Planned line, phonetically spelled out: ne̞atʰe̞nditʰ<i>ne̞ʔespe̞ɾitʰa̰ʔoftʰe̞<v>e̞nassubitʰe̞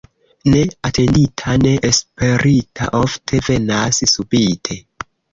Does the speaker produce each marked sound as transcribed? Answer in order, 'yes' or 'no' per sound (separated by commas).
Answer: no, yes